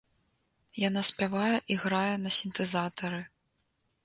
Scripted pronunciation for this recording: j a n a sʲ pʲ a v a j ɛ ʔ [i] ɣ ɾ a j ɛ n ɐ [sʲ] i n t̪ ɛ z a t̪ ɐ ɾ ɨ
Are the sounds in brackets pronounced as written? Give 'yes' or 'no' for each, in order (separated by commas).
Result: yes, yes